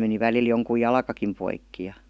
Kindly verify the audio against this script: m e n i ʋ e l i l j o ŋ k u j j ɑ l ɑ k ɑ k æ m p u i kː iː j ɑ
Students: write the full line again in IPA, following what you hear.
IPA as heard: m e n i ʋ æ l i l j o ŋ k u j j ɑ l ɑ k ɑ k i m p o i kː i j ɑ